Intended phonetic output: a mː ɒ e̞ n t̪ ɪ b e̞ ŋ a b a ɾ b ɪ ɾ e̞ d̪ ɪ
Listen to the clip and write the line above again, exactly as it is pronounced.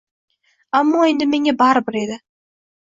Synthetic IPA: a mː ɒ e̞ n d̪ ɪ m e̞ ŋ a b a ɾ b ɪ ɾ e̞ d̪ ɪ